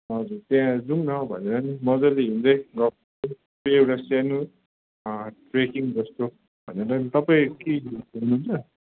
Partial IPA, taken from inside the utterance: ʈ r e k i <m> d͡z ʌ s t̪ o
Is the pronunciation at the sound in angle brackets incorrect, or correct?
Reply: incorrect